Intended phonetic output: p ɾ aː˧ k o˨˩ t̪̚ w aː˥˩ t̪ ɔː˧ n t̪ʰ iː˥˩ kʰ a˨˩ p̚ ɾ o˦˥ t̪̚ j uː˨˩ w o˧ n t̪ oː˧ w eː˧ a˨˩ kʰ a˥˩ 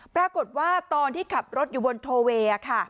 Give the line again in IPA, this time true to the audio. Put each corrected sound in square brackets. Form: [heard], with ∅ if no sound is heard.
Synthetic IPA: p ɾ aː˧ k o˨˩ t̪̚ w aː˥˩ t̪ ɔː˧ n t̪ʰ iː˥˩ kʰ a˨˩ p̚ ɾ o˦˥ t̪̚ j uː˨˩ [b] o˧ n [t̪ʰ] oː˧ w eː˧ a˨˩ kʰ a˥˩